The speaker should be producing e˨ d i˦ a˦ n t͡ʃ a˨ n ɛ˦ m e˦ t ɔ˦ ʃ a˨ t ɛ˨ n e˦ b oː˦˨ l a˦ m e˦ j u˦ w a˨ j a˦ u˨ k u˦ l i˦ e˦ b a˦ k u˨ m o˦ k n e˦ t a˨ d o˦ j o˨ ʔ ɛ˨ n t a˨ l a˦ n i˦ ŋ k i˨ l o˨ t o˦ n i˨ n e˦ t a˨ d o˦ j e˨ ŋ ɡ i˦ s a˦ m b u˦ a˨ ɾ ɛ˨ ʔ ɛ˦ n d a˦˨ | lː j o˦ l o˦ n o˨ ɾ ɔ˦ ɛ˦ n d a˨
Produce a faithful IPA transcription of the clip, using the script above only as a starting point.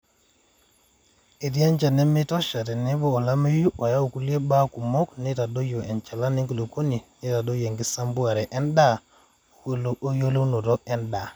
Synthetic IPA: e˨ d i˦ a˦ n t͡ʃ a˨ n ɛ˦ m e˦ t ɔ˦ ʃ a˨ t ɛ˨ n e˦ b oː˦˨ l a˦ m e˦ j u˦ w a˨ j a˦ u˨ k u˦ l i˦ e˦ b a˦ k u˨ m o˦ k n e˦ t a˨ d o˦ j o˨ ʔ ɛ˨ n t͡ʃ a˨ l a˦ n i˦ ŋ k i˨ l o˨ k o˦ n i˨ n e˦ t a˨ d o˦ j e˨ ŋ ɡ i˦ s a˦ m b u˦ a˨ ɾ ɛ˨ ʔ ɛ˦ n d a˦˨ | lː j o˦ l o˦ n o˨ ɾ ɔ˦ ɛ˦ n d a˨